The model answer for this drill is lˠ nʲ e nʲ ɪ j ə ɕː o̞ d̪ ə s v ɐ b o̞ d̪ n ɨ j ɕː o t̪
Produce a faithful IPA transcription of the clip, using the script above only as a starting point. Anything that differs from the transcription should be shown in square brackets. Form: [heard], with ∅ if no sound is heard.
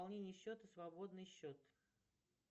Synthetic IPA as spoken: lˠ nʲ e nʲ ɪ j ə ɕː o̞ [t̪] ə s v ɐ b o̞ d̪ n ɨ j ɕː o t̪